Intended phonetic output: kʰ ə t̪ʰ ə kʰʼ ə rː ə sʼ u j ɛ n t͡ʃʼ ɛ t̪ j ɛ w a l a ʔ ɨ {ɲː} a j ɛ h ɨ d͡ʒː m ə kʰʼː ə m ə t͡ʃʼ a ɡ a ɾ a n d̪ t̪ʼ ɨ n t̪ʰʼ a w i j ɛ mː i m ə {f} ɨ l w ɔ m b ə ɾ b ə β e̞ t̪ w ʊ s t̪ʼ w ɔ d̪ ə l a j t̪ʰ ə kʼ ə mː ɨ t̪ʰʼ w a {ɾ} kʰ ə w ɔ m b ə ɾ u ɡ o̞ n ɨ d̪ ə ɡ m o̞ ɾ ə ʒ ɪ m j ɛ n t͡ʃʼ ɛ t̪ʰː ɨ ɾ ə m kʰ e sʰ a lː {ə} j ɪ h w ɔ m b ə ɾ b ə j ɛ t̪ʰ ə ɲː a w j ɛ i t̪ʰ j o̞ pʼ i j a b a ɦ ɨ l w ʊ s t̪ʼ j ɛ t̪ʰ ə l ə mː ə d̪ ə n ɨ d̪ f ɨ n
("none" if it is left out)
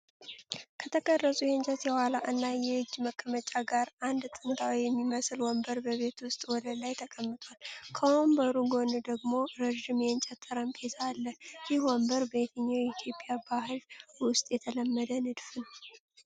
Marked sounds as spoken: nː, s, l, ə

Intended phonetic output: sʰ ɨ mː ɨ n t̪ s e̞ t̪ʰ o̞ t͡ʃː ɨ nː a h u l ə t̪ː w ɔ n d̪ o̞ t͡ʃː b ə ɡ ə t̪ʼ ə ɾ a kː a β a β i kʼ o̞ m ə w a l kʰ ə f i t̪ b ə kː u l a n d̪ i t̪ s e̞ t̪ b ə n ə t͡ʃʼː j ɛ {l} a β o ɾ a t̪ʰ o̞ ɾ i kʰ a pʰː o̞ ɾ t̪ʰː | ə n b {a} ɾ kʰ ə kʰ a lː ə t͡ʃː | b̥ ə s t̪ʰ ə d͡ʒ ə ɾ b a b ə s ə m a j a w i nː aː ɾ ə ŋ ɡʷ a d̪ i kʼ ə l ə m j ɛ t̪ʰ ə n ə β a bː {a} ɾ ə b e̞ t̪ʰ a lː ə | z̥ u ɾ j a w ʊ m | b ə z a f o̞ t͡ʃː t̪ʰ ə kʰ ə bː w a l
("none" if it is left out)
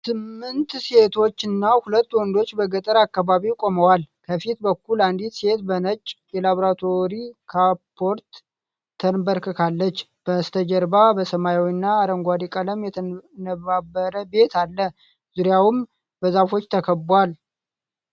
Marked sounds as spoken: l, ə, ə

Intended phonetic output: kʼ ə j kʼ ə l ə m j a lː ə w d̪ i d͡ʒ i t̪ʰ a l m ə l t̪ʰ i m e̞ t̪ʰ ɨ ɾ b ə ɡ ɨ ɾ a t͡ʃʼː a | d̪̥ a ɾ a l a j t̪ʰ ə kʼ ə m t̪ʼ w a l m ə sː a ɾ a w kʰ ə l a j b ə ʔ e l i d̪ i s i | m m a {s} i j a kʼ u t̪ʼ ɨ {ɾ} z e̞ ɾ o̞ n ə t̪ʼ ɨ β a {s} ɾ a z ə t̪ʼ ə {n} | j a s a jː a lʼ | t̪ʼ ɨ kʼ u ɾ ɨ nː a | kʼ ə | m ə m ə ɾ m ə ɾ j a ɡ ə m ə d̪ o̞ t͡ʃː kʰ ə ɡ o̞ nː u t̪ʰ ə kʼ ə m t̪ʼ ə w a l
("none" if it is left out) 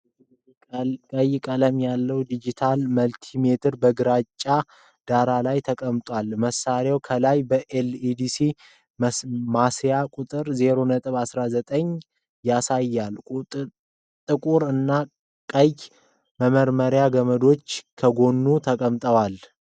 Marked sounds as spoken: s, ɾ, s, ɲ

